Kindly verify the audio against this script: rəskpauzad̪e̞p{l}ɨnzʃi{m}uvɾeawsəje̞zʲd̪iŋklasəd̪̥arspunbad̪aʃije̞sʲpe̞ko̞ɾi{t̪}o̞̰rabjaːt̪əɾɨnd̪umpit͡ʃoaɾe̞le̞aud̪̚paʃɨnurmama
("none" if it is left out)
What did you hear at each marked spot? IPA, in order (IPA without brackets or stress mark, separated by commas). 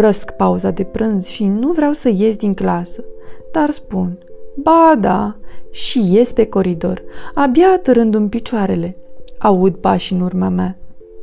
ɾ, n, d̪